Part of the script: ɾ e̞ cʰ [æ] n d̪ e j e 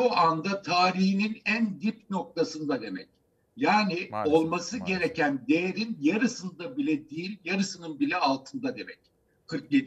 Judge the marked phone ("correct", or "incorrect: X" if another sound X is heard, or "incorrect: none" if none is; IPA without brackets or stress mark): correct